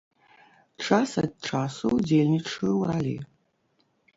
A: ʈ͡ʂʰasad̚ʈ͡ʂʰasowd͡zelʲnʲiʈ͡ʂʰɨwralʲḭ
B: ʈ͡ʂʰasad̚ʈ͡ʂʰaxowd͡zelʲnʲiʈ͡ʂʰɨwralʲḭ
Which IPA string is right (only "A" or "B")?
A